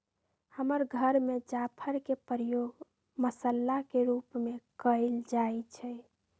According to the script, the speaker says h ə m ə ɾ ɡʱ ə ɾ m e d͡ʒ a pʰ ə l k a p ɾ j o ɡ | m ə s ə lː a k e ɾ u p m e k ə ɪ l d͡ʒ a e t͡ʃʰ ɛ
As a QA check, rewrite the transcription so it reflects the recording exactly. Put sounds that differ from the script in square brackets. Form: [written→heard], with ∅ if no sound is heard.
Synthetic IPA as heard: h ə m ə ɾ ɡʱ ə ɾ m e d͡ʒ a pʰ ə [l→ɾ] k [a→e] p ɾ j o ɡ | m ə s ə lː a k e ɾ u p m e k ə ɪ l d͡ʒ a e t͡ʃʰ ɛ